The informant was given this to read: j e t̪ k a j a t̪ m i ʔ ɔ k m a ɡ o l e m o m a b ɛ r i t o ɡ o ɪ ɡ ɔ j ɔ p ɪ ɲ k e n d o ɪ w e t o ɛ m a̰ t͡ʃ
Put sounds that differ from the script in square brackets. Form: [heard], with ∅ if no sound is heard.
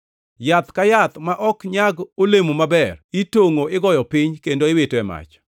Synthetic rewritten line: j [a] t̪ k a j a t̪ m [a] ʔ ɔ k [ɲ] a ɡ o l e m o m a b ɛ r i t o [ŋ] o ɪ ɡ ɔ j ɔ p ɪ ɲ k e n d o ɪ w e t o ɛ m a̰ t͡ʃ